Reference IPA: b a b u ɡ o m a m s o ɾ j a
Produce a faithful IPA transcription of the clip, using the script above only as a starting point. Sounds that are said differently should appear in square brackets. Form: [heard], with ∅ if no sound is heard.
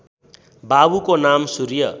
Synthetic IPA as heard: b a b u [k] o [n] a m s [u] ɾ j [ʌ]

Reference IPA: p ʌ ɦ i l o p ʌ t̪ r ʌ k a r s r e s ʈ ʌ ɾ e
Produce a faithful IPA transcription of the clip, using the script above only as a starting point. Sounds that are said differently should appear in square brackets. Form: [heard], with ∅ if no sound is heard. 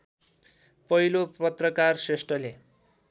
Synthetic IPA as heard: p ʌ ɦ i l o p ʌ t̪ r ʌ k a r s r e s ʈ ʌ [l] e

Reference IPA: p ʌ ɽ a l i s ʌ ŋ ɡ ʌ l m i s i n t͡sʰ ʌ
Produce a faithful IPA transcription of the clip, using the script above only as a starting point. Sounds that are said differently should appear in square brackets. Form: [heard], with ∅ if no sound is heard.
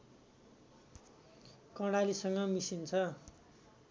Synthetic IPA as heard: [k] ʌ ɽ a l i s ʌ ŋ ɡ ʌ [∅] m i s i n t͡sʰ ʌ

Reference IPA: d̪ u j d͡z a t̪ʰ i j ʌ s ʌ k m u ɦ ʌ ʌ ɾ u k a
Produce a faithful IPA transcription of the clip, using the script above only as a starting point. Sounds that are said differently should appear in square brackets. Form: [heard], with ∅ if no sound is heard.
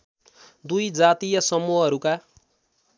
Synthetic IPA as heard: d̪ u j d͡z a [t̪] i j ʌ s ʌ [∅] m u ɦ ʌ ʌ ɾ u k a

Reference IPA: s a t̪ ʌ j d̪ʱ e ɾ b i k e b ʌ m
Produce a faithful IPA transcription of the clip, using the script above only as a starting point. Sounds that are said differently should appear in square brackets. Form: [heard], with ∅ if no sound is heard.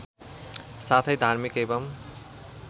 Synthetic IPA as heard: s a [t̪ʰ] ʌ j d̪ʱ [a] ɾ [m] i k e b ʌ m

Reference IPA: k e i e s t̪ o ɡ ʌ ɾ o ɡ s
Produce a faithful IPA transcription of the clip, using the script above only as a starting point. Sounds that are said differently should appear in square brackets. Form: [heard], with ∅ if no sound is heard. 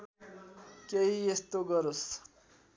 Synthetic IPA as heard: k e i e s t̪ o ɡ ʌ ɾ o [∅] s

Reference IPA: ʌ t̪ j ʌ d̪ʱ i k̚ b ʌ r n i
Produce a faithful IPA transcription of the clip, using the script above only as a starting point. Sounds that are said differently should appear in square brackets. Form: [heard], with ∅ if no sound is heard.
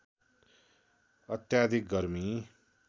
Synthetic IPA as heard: ʌ t̪ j [a] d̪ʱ i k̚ [ɡ] ʌ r [m] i

